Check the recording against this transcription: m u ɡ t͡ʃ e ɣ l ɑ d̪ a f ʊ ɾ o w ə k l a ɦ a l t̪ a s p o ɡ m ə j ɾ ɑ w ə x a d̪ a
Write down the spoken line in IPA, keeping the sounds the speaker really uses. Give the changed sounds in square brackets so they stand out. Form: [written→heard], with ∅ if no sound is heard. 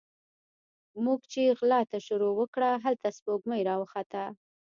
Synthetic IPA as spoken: m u ɡ t͡ʃ e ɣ l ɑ [d̪→t̪] a [f→ʃ] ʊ ɾ o w ə k [l→ɽ] a ɦ a l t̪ a s p o ɡ m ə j ɾ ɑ w ə x a [d̪→t̪] a